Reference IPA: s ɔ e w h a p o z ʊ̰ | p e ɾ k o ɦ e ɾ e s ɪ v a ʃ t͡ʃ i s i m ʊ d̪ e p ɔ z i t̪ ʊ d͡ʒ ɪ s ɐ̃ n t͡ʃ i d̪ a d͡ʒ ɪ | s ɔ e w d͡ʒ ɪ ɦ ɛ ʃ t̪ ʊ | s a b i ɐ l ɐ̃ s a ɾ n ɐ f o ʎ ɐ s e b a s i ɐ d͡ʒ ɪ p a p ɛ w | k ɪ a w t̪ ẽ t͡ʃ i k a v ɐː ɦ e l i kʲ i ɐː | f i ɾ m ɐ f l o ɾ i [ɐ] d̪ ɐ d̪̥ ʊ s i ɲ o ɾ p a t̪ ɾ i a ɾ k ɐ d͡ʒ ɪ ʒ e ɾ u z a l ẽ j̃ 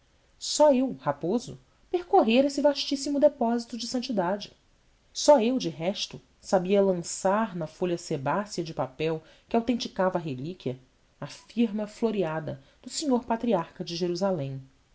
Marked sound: incorrect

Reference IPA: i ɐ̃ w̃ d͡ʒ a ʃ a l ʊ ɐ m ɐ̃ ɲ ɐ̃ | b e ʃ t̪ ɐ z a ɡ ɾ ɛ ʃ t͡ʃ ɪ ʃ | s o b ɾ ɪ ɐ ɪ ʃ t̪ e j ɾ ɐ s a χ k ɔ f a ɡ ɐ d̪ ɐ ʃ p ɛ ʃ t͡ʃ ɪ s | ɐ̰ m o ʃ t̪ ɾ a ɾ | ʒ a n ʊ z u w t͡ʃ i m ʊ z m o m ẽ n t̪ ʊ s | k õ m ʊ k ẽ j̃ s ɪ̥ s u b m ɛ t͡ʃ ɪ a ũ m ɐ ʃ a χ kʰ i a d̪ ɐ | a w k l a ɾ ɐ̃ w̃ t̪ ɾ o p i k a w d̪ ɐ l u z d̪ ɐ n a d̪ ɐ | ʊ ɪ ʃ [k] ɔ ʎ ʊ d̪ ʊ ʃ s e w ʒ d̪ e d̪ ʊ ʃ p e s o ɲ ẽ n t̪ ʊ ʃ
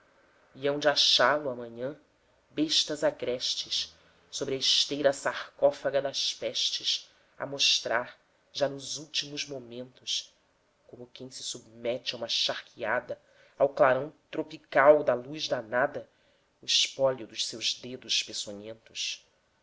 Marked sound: incorrect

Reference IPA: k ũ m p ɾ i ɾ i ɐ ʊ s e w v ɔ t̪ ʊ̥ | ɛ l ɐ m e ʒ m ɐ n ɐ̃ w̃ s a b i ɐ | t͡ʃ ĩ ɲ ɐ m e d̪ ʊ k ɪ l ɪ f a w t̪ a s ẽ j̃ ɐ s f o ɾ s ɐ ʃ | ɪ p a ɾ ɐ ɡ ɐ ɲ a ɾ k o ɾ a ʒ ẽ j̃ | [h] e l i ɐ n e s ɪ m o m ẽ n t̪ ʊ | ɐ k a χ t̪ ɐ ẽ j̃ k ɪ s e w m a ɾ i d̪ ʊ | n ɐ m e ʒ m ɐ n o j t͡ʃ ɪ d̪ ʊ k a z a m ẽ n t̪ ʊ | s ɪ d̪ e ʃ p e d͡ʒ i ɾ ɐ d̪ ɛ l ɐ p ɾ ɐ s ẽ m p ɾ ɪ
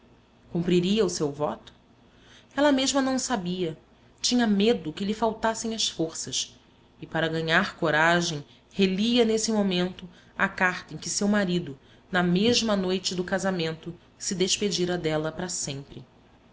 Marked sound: correct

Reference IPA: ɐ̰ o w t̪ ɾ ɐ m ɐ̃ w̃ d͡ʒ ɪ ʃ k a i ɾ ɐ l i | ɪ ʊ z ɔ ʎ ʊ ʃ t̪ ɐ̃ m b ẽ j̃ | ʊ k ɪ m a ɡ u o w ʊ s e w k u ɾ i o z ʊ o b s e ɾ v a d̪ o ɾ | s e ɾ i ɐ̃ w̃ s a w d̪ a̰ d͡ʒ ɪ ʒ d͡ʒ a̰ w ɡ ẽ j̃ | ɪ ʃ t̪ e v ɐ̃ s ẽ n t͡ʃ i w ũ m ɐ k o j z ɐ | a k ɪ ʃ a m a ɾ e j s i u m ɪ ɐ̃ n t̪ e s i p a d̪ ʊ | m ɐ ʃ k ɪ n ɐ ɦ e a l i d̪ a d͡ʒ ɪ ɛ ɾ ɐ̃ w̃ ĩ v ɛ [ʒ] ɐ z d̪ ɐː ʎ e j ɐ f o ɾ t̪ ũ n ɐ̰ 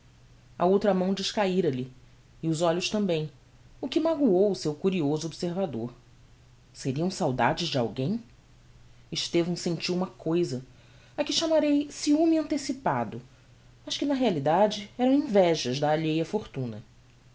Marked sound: correct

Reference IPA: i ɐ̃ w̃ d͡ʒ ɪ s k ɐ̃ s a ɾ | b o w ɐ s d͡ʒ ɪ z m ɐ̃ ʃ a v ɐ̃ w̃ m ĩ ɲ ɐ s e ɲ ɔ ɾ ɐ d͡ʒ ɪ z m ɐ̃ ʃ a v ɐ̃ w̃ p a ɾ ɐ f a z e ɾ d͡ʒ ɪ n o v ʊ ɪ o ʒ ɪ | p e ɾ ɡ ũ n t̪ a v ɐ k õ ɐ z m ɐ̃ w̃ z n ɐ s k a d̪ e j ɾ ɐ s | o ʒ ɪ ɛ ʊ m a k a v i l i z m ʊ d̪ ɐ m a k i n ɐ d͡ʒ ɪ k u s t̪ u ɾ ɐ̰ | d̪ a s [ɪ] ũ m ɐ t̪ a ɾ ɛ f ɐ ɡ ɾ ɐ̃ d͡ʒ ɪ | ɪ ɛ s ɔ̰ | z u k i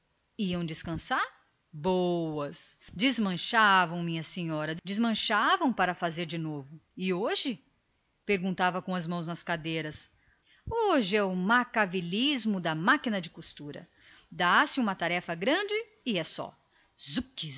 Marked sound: correct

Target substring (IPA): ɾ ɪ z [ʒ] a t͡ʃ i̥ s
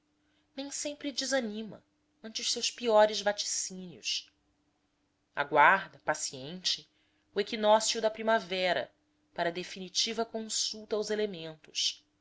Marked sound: incorrect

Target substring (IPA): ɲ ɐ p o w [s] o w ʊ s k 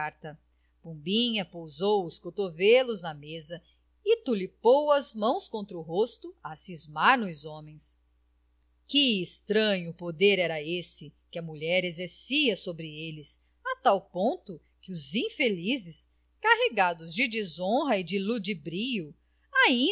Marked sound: incorrect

